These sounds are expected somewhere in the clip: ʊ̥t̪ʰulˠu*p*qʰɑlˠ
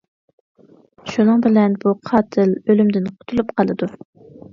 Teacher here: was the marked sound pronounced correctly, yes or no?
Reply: yes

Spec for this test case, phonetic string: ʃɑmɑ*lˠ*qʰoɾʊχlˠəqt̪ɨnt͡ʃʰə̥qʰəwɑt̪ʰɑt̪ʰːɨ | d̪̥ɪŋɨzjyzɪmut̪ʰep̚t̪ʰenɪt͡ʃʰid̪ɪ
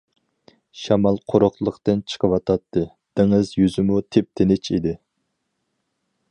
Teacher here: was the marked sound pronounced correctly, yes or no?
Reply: yes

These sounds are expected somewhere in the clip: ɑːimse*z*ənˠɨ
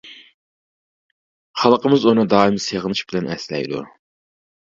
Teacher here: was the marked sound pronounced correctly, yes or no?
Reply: no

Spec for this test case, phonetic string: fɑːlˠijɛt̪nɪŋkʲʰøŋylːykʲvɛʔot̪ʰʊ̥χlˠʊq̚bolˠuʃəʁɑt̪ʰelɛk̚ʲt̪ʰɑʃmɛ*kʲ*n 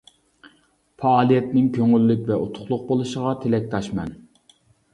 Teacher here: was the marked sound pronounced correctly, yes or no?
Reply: no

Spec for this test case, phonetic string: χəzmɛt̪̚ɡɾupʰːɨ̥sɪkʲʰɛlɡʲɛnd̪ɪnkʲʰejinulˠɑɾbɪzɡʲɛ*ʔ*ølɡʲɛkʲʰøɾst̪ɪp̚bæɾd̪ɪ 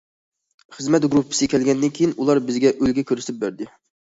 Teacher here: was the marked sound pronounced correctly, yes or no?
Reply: yes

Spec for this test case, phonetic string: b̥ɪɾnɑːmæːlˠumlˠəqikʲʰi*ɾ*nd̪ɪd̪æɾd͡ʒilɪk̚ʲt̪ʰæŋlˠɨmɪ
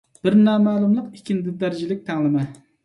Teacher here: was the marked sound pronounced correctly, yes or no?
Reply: no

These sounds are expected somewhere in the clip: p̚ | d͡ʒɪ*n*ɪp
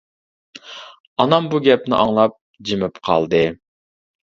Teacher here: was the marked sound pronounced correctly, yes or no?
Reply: no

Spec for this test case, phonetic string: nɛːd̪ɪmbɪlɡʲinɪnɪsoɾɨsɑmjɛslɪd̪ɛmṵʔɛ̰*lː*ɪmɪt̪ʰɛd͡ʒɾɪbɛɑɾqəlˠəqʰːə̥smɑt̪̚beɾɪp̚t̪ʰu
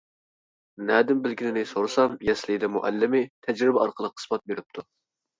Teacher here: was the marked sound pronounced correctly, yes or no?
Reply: yes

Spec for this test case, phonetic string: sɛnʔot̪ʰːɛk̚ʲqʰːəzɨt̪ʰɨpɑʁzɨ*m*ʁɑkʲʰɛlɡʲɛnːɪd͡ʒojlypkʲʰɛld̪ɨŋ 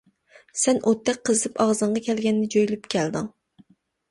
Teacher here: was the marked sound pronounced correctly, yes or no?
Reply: no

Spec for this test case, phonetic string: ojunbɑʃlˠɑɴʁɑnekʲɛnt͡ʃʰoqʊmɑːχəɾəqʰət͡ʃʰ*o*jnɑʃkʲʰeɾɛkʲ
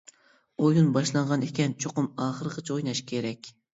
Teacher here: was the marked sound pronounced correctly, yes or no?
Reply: yes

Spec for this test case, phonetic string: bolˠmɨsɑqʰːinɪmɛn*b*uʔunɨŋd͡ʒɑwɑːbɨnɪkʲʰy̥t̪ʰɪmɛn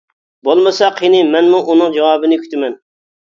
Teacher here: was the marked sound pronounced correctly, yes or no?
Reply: no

